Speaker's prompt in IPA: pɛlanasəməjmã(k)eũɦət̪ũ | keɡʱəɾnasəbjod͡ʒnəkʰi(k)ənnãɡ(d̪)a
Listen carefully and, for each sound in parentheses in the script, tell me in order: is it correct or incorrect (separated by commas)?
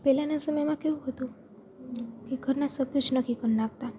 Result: correct, correct, incorrect